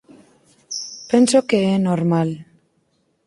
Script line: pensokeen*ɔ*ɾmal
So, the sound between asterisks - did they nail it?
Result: no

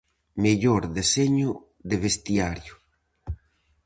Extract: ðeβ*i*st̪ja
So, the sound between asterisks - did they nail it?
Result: no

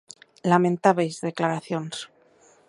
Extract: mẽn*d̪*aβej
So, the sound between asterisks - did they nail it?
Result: no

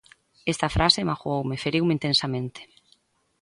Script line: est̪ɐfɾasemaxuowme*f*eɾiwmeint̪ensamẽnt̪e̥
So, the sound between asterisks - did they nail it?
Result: yes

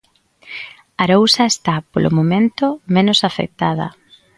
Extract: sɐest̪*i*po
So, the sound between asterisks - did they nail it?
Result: no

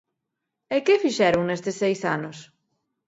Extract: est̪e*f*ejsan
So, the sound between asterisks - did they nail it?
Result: no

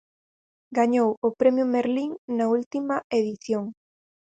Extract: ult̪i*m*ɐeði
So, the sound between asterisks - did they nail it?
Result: yes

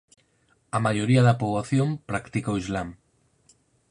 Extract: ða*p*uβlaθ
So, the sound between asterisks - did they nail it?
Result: yes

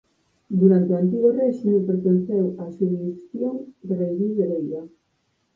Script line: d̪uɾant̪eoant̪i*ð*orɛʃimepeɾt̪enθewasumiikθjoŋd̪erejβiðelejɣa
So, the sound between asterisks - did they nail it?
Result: no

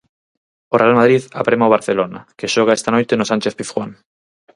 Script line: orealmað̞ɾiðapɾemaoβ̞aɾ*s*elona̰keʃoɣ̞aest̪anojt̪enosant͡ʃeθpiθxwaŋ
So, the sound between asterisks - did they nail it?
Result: no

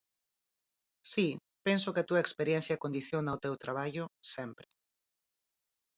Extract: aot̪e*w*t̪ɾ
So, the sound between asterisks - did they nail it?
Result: yes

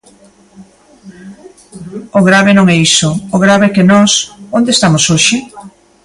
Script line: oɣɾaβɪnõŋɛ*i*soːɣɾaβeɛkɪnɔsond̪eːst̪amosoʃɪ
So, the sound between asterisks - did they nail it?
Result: yes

